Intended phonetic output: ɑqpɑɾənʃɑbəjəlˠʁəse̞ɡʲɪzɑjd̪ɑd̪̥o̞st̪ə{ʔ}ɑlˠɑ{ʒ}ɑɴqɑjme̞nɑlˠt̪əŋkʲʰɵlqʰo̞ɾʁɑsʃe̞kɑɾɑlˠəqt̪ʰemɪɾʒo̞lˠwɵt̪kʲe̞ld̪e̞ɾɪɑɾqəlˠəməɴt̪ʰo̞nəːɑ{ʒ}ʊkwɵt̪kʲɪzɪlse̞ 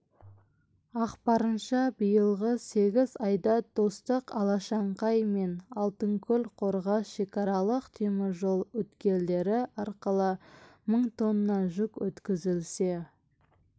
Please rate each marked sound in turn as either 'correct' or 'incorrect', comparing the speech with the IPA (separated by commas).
incorrect, incorrect, correct